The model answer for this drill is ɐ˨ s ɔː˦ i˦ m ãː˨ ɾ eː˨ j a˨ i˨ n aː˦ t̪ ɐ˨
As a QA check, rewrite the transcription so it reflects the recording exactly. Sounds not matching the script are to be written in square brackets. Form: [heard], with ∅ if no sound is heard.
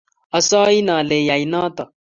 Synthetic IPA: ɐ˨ s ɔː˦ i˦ [n] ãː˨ [l] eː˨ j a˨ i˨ n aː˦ t̪ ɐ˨